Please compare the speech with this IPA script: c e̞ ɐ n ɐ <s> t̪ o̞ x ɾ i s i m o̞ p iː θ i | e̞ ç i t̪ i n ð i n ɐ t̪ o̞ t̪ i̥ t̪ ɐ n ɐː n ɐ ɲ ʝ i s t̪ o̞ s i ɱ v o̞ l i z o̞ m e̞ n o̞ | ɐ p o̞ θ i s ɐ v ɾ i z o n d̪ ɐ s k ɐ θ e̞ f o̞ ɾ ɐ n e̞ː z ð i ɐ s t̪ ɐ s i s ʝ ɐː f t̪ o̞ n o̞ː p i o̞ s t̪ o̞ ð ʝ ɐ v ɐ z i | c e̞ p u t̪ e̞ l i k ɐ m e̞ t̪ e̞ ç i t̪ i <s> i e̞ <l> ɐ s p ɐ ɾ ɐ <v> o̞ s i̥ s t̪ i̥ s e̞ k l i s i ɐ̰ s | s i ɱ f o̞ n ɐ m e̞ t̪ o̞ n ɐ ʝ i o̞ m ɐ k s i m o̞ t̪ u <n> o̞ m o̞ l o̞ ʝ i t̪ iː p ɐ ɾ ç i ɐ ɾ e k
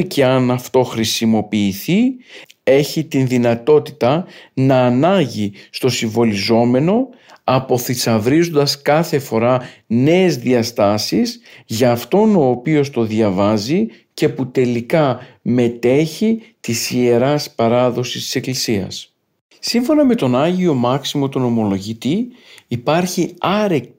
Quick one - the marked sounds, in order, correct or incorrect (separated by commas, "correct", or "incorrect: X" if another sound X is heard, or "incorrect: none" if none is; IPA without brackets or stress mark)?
incorrect: f, correct, incorrect: ɾ, incorrect: ð, correct